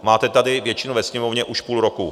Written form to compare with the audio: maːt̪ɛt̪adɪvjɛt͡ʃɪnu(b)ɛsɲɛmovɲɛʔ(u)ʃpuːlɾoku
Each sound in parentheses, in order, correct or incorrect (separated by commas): incorrect, correct